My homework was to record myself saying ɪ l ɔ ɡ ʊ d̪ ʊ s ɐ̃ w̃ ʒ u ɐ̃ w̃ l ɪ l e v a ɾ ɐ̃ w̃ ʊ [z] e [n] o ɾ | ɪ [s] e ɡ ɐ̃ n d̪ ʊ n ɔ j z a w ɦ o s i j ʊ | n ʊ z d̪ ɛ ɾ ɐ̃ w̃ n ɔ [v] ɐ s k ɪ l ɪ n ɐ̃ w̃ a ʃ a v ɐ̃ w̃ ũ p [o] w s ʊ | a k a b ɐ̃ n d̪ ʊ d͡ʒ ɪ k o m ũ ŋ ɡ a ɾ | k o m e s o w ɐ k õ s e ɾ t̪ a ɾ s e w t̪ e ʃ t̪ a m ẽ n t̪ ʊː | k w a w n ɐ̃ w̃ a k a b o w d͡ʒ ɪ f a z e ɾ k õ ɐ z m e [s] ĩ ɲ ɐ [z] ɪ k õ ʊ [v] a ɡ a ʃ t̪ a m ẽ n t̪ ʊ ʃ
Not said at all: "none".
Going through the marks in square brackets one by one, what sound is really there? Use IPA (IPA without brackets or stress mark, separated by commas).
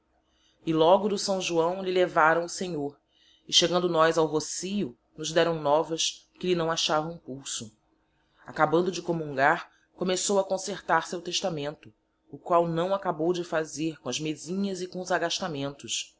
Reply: s, ɲ, ʃ, v, u, z, z, z